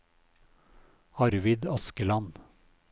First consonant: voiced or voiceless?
voiced